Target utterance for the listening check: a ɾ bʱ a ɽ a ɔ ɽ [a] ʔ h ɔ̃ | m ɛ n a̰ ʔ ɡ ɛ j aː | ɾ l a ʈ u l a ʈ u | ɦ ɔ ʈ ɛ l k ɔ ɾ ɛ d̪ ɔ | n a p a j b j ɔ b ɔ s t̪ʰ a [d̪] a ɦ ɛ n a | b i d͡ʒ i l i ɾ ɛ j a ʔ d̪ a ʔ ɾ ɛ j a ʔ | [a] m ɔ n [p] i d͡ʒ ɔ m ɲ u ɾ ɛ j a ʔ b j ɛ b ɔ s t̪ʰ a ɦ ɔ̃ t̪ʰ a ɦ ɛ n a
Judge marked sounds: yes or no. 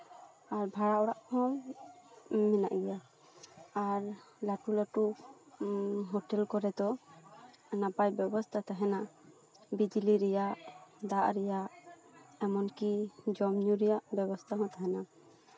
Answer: yes, no, no, no

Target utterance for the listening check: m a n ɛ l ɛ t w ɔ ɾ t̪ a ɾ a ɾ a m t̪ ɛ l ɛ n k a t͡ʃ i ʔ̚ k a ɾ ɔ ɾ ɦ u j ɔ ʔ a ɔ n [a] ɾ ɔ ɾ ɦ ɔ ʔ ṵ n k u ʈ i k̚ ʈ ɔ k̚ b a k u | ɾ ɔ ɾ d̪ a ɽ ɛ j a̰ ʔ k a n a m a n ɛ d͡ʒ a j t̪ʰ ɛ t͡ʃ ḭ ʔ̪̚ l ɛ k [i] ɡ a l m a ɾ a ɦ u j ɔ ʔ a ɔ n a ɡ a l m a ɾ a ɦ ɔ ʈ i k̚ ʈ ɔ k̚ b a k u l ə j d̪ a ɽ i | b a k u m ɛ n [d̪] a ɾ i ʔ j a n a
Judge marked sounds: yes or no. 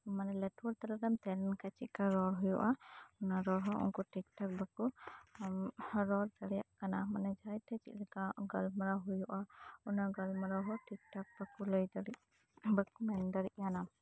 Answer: yes, no, yes

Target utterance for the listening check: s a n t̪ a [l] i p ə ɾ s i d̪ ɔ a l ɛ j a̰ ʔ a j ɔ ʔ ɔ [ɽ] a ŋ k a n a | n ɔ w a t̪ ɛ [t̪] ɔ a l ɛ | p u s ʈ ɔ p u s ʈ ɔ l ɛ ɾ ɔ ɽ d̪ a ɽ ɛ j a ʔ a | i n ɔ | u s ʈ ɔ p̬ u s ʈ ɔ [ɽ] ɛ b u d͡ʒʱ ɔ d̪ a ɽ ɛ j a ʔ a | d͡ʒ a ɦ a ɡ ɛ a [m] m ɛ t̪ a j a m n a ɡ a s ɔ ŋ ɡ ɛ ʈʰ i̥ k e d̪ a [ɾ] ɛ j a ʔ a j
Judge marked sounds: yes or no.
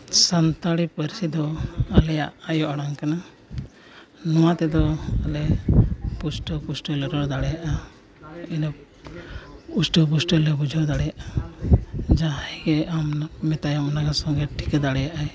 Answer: no, yes, no, no, yes, no

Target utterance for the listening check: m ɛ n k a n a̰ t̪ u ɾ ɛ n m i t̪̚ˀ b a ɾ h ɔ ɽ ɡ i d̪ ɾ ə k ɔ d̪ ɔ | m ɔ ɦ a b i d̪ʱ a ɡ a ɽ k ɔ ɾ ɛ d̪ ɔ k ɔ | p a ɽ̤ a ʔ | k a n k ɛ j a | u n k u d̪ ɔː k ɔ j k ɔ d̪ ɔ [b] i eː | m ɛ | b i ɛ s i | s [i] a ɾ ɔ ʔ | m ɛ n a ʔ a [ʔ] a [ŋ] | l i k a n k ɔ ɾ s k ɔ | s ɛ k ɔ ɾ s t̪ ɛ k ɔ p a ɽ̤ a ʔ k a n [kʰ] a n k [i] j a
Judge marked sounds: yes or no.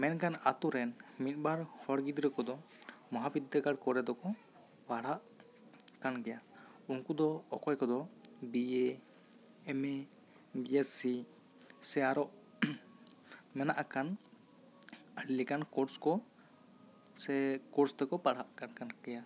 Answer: yes, no, no, no, no, no

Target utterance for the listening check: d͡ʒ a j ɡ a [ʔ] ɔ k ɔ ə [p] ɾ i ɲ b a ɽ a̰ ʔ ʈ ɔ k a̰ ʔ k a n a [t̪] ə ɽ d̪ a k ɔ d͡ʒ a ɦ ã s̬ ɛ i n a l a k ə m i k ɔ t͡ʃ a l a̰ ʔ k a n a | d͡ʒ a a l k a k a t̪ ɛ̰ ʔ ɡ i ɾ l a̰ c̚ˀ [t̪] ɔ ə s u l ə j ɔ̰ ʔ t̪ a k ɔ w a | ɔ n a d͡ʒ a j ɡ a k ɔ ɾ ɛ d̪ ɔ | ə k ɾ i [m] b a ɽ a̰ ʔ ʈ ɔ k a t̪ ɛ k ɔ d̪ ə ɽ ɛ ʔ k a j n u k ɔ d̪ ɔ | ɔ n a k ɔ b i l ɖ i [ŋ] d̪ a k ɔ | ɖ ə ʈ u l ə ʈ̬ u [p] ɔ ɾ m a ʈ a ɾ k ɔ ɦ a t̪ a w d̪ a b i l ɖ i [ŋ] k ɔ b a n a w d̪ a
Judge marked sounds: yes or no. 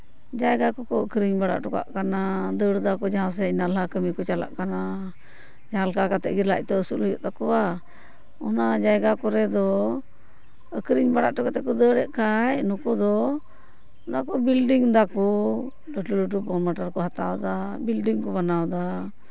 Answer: no, no, no, yes, no, yes, yes, yes

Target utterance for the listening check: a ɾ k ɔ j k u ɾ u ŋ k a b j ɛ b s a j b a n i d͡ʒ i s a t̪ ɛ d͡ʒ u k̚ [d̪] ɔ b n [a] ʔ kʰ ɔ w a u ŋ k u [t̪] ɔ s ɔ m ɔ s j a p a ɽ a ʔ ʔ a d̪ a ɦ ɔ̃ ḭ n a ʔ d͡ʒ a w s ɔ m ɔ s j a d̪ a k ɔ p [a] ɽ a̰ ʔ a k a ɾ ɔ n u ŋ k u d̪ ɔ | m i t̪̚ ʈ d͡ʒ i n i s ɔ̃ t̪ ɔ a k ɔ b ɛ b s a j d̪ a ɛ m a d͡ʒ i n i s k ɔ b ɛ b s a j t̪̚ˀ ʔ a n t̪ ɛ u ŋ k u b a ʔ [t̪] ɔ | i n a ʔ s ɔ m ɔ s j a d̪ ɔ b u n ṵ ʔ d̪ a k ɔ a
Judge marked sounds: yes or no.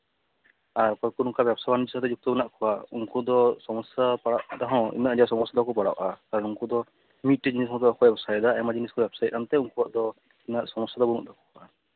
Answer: no, yes, no, yes, no

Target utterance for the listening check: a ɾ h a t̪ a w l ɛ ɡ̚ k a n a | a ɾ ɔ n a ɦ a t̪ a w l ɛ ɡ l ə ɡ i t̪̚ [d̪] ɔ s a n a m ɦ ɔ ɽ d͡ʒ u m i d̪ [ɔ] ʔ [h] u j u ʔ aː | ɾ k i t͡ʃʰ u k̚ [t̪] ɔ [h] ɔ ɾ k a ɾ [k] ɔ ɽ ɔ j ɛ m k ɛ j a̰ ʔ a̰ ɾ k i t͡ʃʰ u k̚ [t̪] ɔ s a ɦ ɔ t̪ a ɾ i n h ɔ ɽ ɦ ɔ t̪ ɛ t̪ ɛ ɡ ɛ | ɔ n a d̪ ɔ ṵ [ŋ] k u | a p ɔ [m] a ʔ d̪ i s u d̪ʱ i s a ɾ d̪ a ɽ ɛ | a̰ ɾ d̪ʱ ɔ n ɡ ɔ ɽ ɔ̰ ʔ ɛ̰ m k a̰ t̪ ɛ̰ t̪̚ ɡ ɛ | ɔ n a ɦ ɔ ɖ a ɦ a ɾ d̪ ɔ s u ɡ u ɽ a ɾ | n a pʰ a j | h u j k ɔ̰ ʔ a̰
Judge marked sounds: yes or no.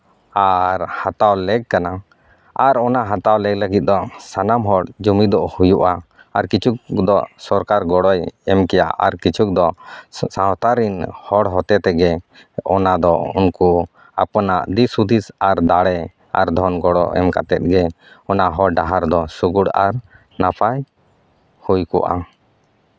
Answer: yes, yes, yes, no, no, no, no, no, no

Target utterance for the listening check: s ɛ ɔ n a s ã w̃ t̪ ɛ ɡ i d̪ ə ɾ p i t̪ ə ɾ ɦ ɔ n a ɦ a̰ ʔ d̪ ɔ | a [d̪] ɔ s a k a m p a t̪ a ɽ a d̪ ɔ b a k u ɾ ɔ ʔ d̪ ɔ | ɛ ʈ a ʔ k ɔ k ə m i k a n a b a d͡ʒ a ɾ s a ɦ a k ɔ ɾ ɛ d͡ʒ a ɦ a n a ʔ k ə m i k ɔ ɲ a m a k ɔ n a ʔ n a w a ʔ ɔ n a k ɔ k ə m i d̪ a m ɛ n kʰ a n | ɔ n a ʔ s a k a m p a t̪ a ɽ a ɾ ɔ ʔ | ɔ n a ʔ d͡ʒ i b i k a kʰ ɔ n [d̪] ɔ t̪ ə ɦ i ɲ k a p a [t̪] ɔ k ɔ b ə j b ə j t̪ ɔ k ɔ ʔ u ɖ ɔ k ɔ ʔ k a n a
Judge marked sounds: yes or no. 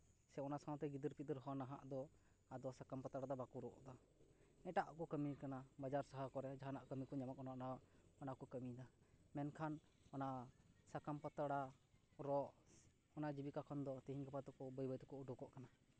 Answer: yes, yes, yes

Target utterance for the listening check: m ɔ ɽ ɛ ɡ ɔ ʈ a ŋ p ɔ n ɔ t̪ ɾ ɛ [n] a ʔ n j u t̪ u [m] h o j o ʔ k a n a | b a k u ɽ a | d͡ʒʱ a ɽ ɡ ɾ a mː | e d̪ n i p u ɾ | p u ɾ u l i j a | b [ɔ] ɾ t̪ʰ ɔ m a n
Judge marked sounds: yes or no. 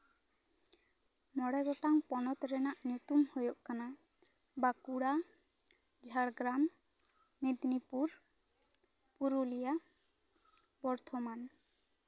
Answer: yes, yes, yes

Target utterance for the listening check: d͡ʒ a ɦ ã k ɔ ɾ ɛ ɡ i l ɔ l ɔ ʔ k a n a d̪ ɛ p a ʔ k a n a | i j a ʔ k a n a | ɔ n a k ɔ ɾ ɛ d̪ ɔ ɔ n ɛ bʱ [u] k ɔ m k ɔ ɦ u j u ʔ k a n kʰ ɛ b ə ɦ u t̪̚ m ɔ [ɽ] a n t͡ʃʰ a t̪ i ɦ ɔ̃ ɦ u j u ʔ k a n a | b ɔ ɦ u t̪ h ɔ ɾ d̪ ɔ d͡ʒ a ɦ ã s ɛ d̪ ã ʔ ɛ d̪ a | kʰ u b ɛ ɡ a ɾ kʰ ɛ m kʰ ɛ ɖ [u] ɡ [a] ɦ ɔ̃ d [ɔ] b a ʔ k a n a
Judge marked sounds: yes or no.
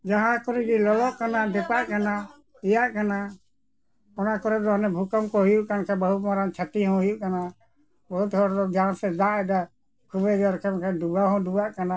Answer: yes, no, yes, yes, no

